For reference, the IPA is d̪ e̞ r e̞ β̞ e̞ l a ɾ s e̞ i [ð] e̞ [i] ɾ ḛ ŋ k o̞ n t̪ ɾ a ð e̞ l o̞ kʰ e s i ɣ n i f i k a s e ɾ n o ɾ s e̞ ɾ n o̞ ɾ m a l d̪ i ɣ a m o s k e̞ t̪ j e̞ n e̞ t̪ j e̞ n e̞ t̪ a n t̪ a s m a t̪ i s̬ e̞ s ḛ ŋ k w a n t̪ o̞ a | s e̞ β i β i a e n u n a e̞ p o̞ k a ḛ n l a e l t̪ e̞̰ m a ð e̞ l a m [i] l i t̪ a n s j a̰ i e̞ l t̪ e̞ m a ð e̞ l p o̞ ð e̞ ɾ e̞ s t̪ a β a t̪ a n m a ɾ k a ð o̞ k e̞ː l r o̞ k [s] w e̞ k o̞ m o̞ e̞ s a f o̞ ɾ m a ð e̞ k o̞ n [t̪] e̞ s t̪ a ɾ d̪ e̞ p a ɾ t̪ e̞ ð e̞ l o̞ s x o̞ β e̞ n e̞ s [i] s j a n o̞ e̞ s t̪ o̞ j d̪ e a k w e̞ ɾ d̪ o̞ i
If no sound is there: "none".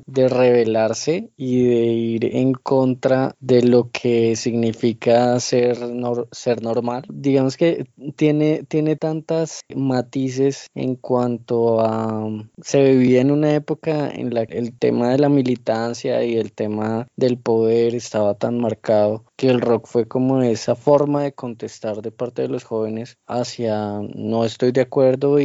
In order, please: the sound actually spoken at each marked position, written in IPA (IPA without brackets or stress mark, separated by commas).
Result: ð, i, i, f, t̪, a